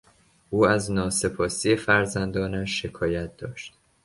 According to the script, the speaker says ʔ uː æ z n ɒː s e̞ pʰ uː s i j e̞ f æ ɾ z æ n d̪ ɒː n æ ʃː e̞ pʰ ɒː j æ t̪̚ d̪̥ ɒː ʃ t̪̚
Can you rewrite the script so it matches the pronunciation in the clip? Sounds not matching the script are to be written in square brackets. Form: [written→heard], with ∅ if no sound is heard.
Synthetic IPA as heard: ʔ uː æ z n ɒː s e̞ pʰ [uː→ɒː] s i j e̞ f æ ɾ z æ n d̪ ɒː n æ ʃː e̞ [pʰ→kʰ] ɒː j æ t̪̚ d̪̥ ɒː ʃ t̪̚